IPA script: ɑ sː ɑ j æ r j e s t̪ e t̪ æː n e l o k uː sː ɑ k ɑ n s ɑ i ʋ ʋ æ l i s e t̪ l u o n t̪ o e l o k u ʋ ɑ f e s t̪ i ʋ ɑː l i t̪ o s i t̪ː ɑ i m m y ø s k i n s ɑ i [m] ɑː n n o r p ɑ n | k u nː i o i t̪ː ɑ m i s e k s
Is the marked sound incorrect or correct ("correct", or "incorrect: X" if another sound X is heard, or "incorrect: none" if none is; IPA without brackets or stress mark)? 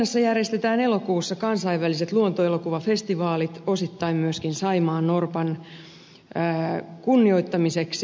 correct